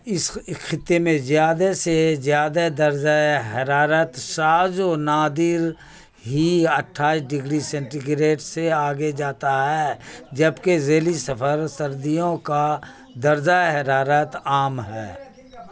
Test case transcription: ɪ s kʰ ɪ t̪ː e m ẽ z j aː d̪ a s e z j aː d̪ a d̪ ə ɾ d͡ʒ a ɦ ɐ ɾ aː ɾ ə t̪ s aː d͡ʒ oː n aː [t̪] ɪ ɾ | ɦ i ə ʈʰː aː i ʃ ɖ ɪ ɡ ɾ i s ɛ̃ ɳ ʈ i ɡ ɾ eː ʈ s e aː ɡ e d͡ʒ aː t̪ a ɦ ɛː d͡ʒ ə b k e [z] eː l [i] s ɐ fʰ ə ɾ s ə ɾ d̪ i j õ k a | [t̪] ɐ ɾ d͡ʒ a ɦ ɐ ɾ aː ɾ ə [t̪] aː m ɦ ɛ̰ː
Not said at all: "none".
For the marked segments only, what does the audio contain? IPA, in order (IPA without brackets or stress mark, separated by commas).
d̪, z, i, d̪, t̪